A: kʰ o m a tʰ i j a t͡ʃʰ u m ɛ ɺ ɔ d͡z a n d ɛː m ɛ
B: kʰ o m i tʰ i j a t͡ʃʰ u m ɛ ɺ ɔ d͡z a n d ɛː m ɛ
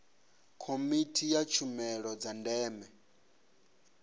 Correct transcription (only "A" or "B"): B